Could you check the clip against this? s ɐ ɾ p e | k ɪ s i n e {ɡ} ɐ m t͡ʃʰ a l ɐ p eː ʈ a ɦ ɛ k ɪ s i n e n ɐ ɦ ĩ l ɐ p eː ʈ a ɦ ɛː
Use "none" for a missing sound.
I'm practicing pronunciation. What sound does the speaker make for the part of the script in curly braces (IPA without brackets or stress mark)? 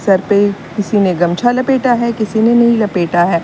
ɡ